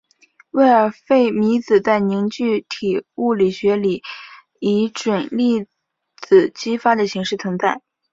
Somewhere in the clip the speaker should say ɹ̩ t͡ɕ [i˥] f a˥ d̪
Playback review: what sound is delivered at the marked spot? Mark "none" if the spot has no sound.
i˥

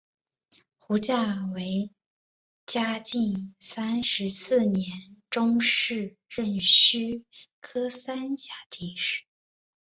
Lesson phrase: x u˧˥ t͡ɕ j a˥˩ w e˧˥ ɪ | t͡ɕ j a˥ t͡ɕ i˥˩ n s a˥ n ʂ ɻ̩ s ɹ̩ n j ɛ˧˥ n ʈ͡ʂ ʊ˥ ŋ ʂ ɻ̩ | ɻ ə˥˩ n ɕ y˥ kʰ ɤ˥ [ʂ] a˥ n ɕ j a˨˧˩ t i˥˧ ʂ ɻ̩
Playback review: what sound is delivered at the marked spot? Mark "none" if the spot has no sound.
s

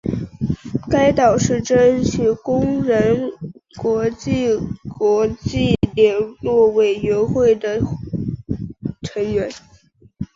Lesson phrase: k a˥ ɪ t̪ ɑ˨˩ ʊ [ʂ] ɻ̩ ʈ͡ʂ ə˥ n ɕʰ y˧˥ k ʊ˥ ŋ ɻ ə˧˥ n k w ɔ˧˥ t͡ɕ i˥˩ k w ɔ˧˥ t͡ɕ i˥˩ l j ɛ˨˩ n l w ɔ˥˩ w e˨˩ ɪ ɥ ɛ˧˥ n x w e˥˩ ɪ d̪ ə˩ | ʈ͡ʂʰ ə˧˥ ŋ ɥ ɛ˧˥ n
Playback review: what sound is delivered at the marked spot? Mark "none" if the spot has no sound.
ʂ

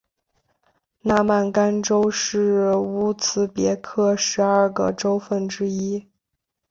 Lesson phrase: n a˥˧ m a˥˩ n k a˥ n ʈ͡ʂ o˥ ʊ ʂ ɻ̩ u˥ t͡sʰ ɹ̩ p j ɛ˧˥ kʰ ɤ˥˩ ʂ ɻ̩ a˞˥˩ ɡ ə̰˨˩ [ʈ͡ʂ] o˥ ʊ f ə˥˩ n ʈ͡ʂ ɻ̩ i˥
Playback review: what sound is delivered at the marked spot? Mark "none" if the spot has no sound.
ʈ͡ʂ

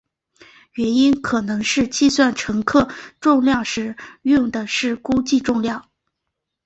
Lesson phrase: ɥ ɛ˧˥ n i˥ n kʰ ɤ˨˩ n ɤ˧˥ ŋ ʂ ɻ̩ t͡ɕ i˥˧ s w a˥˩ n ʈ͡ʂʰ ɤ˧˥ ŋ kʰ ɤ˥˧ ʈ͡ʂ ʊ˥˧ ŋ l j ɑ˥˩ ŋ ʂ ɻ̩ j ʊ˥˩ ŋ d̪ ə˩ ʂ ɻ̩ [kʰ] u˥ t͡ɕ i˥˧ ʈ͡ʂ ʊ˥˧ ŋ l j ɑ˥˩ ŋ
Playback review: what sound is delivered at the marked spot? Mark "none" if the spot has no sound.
k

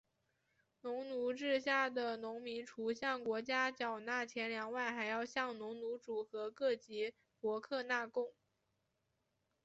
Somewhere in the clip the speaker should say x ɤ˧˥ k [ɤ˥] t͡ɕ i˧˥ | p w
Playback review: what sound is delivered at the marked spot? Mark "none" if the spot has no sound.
ɤ˥˩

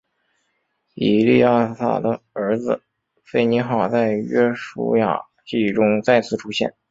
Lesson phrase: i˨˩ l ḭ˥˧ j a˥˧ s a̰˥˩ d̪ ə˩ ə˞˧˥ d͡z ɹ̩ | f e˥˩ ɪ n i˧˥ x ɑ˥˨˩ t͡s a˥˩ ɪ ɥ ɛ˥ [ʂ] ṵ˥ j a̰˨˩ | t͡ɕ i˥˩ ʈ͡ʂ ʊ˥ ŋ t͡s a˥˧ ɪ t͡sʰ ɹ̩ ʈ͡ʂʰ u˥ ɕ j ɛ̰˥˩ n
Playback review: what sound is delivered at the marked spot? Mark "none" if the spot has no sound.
ʂ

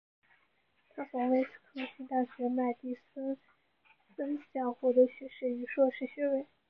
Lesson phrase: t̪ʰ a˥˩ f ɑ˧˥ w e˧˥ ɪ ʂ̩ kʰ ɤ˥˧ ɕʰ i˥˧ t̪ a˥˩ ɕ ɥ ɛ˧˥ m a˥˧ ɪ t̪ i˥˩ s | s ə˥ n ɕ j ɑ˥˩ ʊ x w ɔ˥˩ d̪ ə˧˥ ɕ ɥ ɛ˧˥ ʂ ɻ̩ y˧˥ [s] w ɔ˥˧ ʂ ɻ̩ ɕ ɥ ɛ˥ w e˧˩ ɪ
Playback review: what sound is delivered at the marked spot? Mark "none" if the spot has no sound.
ʂ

